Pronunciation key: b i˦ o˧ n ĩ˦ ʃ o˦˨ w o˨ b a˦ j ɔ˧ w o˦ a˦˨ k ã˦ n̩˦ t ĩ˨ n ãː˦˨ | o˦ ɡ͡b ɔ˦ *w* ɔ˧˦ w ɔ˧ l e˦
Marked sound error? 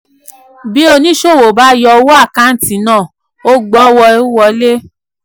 no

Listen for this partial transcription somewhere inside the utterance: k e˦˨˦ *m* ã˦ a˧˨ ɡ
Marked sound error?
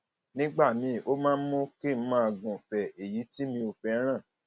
no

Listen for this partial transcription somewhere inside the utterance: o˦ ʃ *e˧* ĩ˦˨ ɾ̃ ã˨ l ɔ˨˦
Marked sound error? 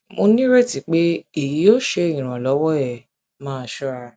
no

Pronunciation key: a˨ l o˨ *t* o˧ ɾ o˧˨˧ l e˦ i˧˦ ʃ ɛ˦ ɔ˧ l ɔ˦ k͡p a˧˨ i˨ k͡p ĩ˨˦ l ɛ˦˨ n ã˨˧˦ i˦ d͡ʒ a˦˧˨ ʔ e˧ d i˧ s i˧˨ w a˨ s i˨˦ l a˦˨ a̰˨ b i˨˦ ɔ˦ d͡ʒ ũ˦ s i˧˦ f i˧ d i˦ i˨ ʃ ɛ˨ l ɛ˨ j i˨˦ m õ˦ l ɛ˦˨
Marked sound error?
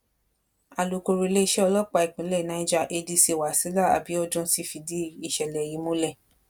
yes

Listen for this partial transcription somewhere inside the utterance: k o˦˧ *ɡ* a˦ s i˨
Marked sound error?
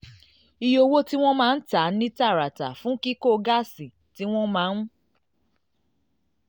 no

